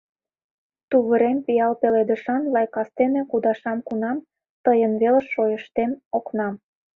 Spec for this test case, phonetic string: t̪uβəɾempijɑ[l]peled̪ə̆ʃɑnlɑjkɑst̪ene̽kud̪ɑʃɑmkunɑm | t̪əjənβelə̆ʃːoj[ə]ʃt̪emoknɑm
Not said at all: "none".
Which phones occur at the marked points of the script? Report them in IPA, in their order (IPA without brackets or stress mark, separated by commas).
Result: l, ə